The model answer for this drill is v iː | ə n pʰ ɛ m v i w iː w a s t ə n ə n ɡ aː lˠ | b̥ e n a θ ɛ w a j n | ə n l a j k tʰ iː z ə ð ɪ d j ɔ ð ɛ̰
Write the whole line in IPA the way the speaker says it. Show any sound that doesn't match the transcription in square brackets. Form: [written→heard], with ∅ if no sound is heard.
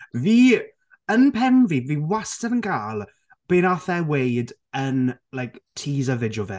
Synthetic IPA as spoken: v iː | ə n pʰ ɛ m v i [w→v] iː w a s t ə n ə n ɡ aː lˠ | b̥ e n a θ ɛ w [a→e] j [n→d] | ə n l a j k tʰ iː z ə [ð→v] ɪ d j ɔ [ð→v] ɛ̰